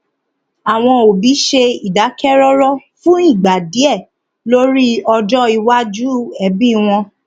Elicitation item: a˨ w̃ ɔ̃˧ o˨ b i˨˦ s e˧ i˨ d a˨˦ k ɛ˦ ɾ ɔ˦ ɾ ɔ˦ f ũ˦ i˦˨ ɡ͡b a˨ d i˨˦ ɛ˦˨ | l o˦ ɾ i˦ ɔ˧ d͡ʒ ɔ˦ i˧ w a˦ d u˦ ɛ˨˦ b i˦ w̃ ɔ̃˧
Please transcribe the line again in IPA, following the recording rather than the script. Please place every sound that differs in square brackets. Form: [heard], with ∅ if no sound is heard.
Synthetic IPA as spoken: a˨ w̃ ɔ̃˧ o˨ b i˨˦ [ʃ] e˧ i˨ d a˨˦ k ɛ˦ ɾ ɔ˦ ɾ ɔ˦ f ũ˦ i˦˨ ɡ͡b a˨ d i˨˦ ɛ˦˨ | l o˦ ɾ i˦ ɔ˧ d͡ʒ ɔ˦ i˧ w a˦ [d͡ʒ] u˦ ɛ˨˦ b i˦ w̃ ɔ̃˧